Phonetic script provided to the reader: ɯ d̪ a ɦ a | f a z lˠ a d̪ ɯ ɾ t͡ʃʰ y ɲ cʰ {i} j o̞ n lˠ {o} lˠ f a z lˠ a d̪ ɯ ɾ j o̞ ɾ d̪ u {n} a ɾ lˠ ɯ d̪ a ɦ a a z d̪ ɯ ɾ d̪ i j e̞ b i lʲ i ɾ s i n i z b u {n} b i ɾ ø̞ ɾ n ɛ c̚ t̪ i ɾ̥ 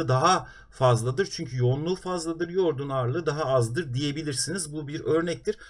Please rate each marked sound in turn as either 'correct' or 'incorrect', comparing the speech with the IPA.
incorrect, incorrect, correct, incorrect

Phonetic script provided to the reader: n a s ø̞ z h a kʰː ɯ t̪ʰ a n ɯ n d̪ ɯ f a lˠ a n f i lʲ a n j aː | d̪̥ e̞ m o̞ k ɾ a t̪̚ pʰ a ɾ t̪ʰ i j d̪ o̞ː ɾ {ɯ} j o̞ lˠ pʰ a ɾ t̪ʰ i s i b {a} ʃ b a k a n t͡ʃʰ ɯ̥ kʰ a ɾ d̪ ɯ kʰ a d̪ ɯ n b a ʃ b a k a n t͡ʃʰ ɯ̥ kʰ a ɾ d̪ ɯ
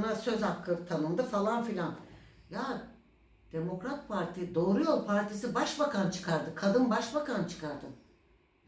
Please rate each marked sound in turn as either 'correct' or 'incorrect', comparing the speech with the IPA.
incorrect, correct

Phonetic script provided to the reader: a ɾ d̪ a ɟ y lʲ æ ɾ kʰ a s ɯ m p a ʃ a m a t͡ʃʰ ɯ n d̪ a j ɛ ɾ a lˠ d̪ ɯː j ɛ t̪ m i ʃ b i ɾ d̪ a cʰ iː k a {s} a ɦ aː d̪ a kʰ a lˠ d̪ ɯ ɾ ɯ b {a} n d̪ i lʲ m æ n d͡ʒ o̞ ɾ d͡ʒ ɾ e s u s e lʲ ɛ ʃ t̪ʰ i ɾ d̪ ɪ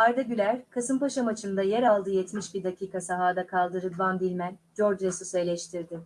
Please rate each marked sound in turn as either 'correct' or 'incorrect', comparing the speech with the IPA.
correct, correct

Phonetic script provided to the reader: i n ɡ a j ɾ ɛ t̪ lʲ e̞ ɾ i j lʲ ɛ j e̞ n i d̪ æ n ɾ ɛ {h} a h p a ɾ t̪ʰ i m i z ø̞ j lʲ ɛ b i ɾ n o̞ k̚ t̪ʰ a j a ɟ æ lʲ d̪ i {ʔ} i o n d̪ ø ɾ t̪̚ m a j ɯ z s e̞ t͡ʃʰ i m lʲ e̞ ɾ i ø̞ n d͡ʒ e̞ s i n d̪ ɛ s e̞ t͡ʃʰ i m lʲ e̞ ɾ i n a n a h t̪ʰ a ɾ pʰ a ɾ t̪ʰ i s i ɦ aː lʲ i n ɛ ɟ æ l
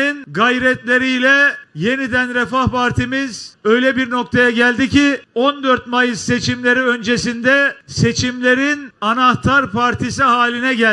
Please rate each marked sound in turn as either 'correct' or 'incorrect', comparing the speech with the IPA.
incorrect, incorrect

